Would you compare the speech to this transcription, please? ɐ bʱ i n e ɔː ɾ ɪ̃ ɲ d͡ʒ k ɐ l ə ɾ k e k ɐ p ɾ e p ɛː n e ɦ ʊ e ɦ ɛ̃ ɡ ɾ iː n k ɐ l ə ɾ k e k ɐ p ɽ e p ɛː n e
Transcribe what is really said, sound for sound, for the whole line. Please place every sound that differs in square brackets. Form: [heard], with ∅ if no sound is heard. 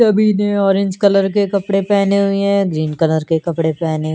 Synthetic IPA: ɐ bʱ i n e ɔː ɾ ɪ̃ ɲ d͡ʒ k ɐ l ə ɾ k e k ɐ p [ɽ] e p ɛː n e ɦ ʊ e ɦ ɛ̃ ɡ ɾ iː n k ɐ l ə ɾ k e k ɐ p ɽ e p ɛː n e